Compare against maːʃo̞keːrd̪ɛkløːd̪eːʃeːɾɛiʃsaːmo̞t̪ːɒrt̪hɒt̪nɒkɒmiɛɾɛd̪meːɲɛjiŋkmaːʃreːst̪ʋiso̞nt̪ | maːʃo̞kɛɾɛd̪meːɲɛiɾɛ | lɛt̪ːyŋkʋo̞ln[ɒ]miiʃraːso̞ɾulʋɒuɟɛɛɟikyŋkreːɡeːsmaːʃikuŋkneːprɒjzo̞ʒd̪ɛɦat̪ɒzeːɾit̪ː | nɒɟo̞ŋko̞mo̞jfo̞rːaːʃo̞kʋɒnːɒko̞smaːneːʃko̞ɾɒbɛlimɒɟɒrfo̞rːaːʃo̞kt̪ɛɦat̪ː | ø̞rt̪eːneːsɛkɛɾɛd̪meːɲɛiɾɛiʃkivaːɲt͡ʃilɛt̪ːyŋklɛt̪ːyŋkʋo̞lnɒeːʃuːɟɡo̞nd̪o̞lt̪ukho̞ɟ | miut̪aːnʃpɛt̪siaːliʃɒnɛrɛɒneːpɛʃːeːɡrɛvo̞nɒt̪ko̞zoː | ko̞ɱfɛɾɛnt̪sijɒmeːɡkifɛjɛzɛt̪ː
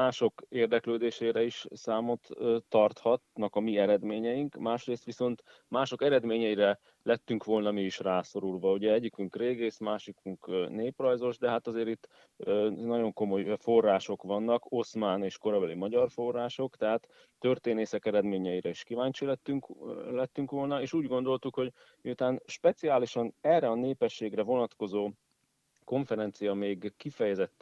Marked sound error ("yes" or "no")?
no